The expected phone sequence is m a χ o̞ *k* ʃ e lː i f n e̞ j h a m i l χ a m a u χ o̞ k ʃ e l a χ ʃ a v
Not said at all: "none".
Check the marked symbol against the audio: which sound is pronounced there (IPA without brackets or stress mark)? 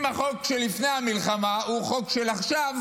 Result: k